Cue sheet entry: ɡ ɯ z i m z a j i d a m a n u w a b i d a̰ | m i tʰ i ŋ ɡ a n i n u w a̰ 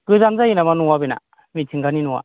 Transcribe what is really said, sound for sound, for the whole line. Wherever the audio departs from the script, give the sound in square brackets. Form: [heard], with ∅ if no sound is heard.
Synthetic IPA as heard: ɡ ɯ z [a] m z a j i [n] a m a n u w a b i [n] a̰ | m i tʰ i ŋ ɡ a n i n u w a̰